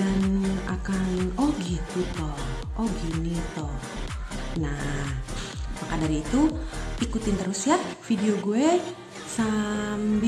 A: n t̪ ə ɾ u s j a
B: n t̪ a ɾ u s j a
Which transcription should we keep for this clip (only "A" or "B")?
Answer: A